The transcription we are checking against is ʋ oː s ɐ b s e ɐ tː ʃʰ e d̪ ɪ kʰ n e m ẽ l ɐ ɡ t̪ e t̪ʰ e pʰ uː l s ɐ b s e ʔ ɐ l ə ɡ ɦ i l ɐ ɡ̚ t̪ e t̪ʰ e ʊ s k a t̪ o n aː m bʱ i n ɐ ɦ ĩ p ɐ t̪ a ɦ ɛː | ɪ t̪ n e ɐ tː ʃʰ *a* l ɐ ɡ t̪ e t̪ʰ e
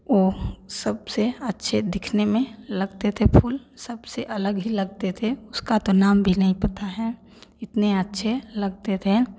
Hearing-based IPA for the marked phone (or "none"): e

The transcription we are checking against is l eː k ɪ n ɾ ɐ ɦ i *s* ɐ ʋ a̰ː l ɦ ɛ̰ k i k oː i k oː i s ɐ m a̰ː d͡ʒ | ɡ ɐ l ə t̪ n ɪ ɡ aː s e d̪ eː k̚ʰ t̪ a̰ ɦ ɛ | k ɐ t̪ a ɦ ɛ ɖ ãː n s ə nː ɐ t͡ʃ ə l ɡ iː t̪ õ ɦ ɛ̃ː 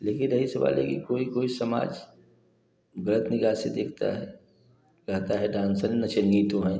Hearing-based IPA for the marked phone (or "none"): s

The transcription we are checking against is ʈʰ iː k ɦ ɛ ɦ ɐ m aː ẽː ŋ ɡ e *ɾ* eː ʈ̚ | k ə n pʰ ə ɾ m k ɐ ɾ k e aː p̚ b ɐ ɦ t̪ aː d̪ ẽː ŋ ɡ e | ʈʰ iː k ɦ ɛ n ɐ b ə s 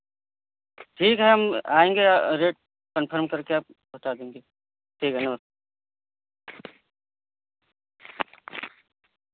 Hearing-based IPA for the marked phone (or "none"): ɾ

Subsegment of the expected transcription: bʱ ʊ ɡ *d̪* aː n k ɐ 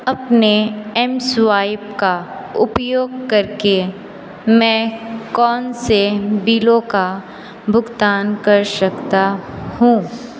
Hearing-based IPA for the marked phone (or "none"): t̪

